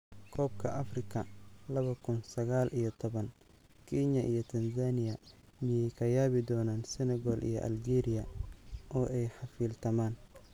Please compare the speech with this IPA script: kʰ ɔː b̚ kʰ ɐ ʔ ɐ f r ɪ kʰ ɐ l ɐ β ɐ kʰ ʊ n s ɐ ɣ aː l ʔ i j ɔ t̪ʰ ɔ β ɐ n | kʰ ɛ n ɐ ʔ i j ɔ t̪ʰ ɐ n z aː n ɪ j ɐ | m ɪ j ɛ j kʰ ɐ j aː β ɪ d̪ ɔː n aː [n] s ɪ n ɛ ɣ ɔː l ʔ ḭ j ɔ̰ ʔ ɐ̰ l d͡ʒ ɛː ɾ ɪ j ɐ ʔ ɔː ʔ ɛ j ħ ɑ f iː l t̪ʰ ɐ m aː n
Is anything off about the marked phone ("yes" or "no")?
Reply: no